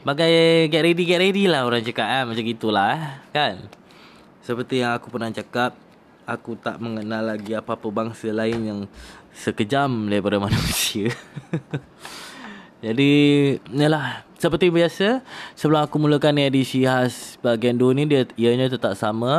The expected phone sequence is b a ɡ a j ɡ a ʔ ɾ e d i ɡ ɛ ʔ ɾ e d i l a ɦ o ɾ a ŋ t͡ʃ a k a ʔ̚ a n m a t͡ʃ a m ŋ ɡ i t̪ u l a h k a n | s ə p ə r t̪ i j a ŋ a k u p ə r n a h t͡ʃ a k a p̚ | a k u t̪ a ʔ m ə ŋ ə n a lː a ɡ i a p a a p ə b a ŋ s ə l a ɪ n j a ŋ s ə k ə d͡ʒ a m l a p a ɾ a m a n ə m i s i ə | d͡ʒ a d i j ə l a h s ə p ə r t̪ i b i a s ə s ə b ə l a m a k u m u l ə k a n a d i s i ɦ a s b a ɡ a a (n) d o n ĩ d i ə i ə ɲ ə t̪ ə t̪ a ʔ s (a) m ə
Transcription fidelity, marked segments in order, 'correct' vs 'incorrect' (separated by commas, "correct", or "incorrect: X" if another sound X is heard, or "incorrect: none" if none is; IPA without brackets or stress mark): correct, correct